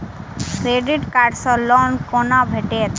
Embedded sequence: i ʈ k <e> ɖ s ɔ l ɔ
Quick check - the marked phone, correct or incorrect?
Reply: incorrect: a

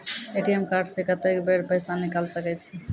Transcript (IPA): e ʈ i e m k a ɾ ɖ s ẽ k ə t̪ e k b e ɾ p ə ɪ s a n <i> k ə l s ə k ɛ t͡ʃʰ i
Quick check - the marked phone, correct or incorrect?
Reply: correct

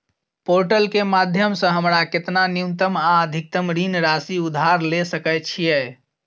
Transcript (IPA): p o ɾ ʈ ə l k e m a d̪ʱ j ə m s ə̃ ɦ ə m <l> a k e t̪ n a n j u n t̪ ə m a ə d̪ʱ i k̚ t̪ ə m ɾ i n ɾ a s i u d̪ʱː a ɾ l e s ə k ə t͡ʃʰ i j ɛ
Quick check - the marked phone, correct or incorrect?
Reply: incorrect: ɾ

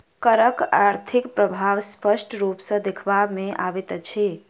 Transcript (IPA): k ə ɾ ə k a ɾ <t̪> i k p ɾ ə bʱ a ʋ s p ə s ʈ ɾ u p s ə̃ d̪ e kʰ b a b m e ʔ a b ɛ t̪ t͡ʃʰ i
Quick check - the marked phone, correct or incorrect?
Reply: incorrect: t̪ʰ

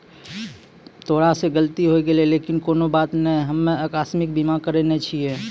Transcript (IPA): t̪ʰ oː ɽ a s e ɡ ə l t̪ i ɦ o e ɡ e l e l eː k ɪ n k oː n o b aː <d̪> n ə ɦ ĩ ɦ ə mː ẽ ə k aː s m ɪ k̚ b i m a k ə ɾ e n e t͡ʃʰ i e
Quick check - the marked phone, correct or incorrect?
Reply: incorrect: t̪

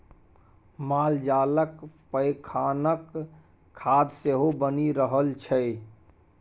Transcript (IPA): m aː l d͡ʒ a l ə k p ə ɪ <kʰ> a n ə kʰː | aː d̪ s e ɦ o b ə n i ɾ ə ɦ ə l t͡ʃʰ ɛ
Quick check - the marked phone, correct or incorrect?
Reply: correct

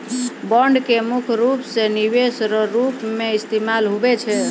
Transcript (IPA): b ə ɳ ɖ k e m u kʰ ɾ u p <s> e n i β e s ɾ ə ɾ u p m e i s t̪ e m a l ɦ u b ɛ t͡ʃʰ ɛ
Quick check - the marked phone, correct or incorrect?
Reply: correct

